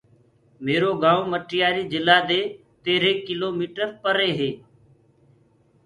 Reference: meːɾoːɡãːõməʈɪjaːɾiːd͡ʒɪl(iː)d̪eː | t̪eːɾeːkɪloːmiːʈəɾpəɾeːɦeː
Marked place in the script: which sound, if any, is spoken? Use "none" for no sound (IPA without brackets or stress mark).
aː